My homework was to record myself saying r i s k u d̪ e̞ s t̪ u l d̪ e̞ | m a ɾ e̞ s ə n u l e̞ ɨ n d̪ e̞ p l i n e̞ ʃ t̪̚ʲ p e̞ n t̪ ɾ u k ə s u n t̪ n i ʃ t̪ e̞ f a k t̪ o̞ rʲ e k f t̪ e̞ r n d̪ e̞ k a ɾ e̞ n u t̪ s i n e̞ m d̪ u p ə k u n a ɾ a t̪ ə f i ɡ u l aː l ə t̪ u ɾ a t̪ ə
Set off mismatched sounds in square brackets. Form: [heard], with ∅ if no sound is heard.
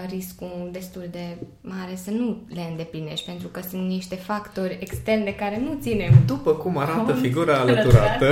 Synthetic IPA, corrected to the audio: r i s k u d̪ e̞ s t̪ u l d̪ e̞ | m a ɾ e̞ s ə n u l e̞ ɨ n d̪ e̞ p l i n e̞ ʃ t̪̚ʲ p e̞ n t̪ ɾ u k ə s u n t̪ n i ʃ t̪ e̞ f a k t̪ o̞ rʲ e k [s] t̪ e̞ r n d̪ e̞ k a ɾ e̞ n u t̪ s i n e̞ m d̪ u p ə k u [m] a ɾ a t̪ ə f i ɡ u [ɾ] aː l ə t̪ u ɾ a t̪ ə